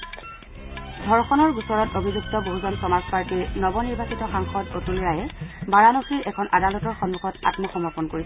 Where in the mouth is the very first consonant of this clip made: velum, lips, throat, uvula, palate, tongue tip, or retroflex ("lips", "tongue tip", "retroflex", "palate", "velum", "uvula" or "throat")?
tongue tip